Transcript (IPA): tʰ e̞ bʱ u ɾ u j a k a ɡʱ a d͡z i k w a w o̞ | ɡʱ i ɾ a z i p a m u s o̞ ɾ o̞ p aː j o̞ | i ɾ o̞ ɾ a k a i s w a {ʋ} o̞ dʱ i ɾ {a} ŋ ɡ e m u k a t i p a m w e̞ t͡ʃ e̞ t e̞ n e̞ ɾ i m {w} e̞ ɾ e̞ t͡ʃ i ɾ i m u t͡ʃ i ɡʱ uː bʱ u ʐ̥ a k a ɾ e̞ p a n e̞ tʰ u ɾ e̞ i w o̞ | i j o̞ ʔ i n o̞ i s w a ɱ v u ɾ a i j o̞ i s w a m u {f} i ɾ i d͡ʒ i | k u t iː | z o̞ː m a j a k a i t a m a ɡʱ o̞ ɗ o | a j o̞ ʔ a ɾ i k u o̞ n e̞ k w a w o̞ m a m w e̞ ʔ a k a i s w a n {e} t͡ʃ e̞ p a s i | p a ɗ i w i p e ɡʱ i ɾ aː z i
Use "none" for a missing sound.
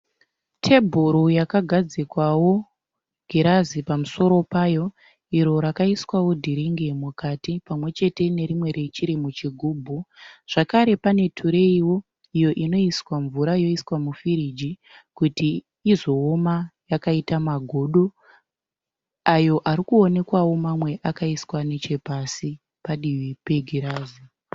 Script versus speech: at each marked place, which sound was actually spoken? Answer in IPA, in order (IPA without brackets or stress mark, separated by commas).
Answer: w, i, w, f, e